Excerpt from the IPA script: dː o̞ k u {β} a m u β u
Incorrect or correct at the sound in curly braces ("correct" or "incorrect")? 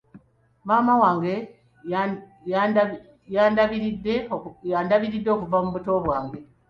incorrect